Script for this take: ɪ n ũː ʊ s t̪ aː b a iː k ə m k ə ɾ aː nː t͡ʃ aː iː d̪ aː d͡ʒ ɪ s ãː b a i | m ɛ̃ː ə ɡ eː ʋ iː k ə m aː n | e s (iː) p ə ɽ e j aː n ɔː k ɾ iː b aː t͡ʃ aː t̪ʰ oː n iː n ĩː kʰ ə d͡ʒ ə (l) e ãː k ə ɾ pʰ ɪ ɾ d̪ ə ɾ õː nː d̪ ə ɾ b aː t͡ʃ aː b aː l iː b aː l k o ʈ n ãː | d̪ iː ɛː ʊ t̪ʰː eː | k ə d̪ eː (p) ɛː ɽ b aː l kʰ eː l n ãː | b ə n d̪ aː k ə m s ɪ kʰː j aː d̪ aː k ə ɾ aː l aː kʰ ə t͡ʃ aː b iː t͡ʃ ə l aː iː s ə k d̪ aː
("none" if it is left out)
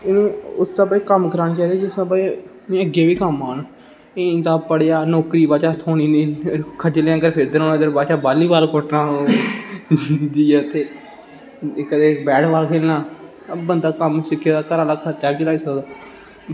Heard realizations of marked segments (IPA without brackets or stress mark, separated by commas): aː, l, b